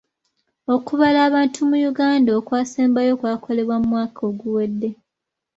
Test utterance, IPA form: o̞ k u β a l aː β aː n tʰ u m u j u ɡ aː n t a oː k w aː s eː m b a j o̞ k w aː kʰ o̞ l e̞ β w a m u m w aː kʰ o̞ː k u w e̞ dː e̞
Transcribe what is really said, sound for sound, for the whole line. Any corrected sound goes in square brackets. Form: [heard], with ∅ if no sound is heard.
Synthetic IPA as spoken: o̞ k u β a l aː β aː n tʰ u m u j u ɡ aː n [d] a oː k w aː s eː m b a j o̞ k w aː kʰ o̞ l e̞ β w a m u m w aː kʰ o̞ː [ɡ] u w e̞ dː e̞